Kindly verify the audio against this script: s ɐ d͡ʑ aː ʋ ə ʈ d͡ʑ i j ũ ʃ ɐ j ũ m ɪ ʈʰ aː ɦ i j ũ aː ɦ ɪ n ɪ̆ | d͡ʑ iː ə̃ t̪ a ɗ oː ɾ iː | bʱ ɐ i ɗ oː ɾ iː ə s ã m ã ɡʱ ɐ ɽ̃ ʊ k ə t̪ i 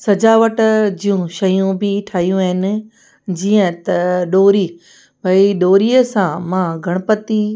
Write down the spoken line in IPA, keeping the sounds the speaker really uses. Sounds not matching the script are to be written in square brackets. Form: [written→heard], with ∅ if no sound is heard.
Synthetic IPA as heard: s ɐ d͡ʑ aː ʋ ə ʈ d͡ʑ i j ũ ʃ ɐ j ũ [m→b] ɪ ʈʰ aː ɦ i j ũ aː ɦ ɪ n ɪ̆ | d͡ʑ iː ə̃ t̪ [a→ɐ] ɗ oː ɾ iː | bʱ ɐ i ɗ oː ɾ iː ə s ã m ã ɡʱ ɐ ɽ̃ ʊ [k→p] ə t̪ i

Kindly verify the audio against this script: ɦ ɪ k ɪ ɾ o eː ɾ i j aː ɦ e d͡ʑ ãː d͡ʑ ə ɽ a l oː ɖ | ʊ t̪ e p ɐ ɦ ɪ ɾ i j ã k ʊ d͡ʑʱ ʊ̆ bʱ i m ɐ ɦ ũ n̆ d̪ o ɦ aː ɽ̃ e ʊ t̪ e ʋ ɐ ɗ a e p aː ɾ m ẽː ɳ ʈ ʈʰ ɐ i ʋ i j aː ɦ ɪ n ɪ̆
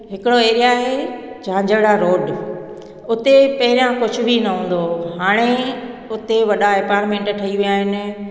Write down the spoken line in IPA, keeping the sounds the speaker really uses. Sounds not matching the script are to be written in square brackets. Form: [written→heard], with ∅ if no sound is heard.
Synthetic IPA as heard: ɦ ɪ k ɪ [ɾ→ɽ] o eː ɾ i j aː ɦ e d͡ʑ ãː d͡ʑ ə ɽ a [l→ɾ] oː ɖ | ʊ t̪ e p ɐ ɦ ɪ ɾ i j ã k ʊ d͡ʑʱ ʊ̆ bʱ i [m→n] ɐ ɦ [ũ→ũː] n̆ d̪ o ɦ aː ɽ̃ e ʊ t̪ e ʋ ɐ ɗ a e p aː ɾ m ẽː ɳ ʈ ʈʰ ɐ i ʋ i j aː ɦ ɪ n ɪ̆

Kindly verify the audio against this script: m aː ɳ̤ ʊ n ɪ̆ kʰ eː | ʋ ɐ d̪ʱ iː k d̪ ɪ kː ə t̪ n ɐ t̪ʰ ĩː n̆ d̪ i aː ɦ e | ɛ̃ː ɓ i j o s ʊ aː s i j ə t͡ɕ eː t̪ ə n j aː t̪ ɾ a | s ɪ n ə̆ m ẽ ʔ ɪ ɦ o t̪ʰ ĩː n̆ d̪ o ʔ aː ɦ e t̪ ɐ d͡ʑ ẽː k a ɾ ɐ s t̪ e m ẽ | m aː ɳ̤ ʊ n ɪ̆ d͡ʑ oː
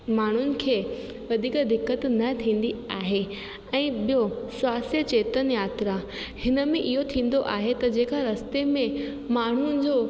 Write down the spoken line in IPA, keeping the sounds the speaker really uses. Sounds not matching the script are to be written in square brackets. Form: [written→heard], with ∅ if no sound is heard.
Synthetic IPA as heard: m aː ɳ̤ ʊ n ɪ̆ kʰ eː | ʋ ɐ d̪ʱ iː k d̪ ɪ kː ə t̪ n ɐ t̪ʰ ĩː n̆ d̪ i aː ɦ e | ɛ̃ː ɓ i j o s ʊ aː s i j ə t͡ɕ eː t̪ ə n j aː t̪ ɾ a | [s→h] ɪ n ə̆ m ẽ ʔ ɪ ɦ o t̪ʰ ĩː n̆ d̪ o ʔ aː ɦ e t̪ ɐ d͡ʑ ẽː k a ɾ ɐ s t̪ e m ẽ | m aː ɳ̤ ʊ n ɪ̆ d͡ʑ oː

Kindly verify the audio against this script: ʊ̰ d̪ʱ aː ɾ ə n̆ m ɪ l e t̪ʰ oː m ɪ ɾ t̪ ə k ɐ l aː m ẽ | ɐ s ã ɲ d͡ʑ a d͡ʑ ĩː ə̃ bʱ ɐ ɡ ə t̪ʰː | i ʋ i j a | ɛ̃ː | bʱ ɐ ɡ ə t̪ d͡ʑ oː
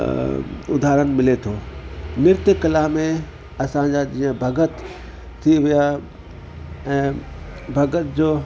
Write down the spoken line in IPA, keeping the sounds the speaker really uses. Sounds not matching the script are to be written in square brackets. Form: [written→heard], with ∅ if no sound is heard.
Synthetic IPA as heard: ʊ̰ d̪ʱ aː ɾ ə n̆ m ɪ l e t̪ʰ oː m ɪ ɾ t̪ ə k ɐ l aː m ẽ | ɐ s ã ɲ d͡ʑ a d͡ʑ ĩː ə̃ bʱ ɐ ɡ ə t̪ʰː | i ʋ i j a | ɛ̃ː | bʱ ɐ ɡ ə t̪ d͡ʑ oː

